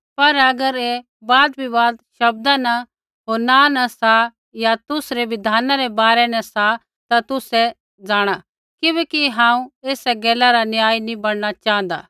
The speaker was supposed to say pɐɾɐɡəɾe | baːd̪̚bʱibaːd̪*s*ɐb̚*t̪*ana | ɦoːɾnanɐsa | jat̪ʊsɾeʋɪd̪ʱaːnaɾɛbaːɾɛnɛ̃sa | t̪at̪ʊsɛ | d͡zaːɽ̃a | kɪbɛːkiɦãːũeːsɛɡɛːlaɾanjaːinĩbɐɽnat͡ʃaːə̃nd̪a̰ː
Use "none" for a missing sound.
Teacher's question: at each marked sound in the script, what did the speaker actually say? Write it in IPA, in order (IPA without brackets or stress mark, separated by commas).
ʃ, d̪